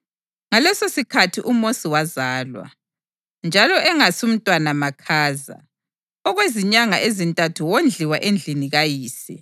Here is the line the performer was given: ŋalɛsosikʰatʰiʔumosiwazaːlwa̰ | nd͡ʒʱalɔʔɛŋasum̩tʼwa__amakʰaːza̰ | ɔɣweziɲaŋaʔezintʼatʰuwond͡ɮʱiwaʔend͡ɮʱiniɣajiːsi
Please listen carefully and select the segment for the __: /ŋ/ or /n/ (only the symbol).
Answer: n